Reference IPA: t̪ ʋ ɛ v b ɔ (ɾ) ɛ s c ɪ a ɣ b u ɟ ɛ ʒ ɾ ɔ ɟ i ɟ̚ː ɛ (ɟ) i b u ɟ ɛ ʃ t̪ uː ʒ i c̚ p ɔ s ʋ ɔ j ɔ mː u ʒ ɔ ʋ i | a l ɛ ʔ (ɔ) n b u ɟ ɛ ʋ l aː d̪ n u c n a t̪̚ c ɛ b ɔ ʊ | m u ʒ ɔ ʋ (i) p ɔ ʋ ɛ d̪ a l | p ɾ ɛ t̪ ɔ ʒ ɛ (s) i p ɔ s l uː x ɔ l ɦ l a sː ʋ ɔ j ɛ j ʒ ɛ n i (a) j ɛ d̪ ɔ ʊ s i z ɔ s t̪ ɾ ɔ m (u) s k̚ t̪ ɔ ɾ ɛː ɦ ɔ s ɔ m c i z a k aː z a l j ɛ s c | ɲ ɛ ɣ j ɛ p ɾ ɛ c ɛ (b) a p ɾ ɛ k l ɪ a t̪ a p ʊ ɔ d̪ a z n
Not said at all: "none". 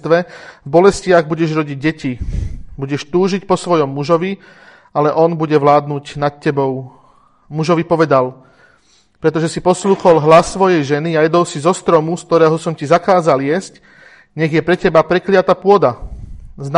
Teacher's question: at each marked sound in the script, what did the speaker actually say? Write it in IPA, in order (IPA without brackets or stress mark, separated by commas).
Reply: l, c, ɔ, i, s, a, u, b